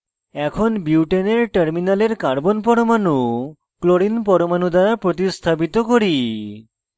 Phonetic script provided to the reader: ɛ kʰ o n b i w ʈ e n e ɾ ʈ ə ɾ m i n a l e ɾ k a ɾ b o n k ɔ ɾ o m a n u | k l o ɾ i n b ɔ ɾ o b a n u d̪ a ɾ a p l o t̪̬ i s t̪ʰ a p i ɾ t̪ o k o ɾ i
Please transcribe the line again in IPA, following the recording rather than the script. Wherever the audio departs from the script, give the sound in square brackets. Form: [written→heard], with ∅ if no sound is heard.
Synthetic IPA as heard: ɛ kʰ o n b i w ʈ e n e ɾ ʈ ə ɾ m i n a l e ɾ k a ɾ b o n [k→p] ɔ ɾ o m a n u | k l o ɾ i n [b→p] ɔ ɾ o [b→m] a n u d̪ a ɾ a p [l→ɾ] o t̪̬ i s t̪ʰ a p i [ɾ→∅] t̪ o k o ɾ i